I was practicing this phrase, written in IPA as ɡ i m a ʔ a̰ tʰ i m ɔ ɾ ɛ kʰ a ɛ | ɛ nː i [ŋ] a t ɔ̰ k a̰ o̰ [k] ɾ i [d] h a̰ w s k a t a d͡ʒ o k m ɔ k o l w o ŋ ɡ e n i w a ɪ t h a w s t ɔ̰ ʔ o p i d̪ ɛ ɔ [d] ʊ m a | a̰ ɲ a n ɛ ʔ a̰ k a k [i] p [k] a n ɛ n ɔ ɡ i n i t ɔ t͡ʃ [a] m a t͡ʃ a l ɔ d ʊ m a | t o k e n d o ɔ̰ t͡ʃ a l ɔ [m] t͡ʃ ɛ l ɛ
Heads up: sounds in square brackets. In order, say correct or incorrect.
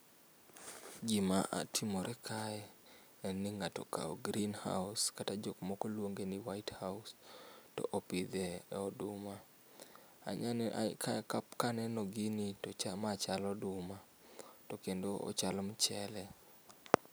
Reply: correct, incorrect, incorrect, correct, incorrect, correct, correct, correct

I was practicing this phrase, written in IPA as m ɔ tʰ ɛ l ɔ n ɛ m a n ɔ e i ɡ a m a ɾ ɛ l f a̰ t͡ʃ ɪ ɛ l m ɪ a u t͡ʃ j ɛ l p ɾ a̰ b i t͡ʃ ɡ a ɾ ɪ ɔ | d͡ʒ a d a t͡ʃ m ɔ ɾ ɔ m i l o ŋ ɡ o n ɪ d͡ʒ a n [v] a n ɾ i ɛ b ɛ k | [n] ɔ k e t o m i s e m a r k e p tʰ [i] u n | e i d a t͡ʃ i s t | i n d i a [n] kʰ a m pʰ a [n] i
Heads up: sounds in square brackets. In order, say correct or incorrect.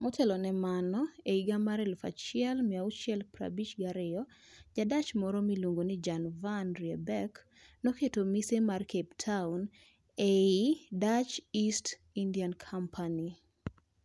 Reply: correct, correct, incorrect, correct, correct

